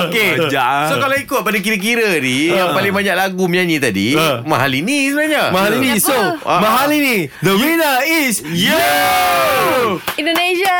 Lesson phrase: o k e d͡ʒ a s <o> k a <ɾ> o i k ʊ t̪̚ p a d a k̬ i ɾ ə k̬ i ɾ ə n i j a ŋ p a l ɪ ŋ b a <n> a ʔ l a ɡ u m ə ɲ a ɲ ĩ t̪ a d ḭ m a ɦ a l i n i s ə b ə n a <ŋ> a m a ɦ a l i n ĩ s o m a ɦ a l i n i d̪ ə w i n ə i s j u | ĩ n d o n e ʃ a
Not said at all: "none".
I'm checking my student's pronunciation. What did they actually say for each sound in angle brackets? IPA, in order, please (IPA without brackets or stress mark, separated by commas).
o, l, ɲ, ɲ